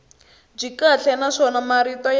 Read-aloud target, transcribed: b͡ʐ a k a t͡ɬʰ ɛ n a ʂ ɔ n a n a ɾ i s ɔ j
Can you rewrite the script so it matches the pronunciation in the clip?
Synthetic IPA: b͡ʐ i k a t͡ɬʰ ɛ n a ʂ ɔ n a m a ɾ i t ɔ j